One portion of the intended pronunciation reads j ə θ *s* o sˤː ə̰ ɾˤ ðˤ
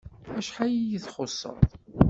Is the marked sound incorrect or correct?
incorrect: χ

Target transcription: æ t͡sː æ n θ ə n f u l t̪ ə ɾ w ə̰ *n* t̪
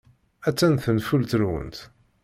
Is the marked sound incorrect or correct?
correct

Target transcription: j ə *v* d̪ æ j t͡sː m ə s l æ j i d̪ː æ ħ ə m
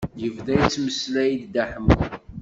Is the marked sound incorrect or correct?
correct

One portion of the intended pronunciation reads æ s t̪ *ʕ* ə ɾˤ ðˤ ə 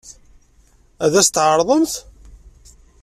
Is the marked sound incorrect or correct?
correct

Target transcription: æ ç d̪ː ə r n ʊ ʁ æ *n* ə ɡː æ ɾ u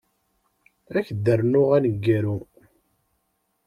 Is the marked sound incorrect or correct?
correct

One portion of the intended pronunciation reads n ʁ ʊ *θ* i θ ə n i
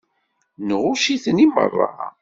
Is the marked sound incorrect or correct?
incorrect: ʃ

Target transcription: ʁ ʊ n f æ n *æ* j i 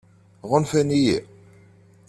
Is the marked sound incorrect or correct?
incorrect: i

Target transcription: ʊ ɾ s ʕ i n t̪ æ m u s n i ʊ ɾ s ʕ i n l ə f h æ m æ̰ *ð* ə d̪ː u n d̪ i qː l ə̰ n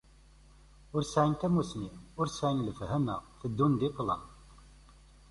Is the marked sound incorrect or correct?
incorrect: θ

